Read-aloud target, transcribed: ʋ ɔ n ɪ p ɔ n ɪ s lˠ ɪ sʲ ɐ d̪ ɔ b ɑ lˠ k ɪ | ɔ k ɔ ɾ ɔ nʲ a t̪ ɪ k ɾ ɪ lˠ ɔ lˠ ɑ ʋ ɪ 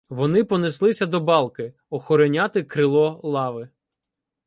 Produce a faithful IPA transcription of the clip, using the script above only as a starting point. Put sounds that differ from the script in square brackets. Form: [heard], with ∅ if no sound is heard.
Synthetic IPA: ʋ ɔ n ɪ p ɔ n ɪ s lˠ ɪ sʲ ɐ d̪ ɔ b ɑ lˠ k ɪ | ɔ [x] ɔ ɾ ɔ nʲ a t̪ ɪ k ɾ ɪ lˠ ɔ lˠ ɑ ʋ ɪ